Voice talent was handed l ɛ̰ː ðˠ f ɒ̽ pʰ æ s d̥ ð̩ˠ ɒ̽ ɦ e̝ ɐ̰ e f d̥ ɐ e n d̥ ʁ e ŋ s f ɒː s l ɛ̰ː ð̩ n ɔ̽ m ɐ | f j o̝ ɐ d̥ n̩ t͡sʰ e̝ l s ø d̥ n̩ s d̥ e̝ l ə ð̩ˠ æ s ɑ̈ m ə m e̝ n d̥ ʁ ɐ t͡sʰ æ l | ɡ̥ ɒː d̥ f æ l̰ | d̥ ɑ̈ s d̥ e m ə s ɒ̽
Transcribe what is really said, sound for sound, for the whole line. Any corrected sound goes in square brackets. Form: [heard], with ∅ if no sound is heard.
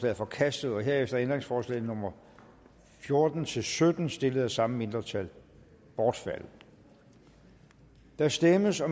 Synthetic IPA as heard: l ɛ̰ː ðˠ f ɒ̽ [kʰ] æ s d̥ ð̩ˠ ɒ̽ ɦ e̝ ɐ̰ e f d̥ ɐ e n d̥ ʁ e ŋ s f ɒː s l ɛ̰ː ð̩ n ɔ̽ m ɐ | f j o̝ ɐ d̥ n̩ t͡sʰ e̝ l s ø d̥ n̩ s d̥ e̝ l ə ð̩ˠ æ s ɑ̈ m ə m e̝ n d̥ ʁ ɐ t͡sʰ æ l | [b̥] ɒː d̥ f æ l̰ | d̥ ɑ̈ s d̥ e m ə s ɒ̽